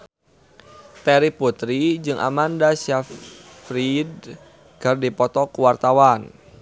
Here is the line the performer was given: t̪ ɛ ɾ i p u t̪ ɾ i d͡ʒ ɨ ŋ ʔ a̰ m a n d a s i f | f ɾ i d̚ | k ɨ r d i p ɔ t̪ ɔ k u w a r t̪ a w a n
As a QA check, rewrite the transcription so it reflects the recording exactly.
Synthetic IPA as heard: t̪ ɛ ɾ i p u t̪ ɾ i d͡ʒ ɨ ŋ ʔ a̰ m a n d a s a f | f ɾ i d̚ | k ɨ r d i p ɔ t̪ ɔ k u w a r t̪ a w a n